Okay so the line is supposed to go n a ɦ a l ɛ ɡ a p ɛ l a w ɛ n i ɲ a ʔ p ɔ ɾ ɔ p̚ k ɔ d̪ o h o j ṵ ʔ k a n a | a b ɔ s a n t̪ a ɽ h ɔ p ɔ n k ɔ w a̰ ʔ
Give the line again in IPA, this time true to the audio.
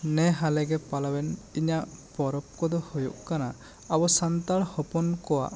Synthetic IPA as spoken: n ɛ ɦ a l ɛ ɡ ɛ p a l a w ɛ n i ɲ a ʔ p ɔ ɾ ɔ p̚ k ɔ d̪ ɔ h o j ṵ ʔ k a n a | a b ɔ s a n t̪ a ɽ h ɔ p ɔ n k ɔ w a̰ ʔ